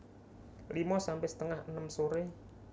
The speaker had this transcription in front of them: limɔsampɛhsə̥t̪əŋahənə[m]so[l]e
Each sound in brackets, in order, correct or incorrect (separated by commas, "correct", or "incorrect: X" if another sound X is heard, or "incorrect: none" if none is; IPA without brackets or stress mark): correct, incorrect: ɾ